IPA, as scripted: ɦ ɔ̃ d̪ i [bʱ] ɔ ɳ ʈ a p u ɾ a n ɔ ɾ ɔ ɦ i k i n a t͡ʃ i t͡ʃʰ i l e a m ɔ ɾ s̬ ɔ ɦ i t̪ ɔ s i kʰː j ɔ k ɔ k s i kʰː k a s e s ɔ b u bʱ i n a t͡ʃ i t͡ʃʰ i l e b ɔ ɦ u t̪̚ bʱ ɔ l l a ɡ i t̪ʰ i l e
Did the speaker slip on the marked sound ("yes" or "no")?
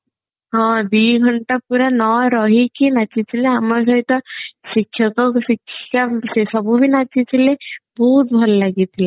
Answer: yes